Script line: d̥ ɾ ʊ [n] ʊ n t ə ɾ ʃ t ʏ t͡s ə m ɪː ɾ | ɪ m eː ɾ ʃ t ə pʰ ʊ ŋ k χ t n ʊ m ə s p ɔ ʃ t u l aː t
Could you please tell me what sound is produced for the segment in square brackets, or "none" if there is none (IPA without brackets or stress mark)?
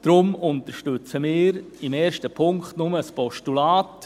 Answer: m